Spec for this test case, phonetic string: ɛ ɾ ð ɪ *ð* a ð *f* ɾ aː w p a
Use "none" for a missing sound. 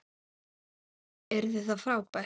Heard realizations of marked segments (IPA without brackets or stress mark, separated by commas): θ, f